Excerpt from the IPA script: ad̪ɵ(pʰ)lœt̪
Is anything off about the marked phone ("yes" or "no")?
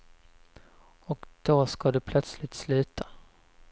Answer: no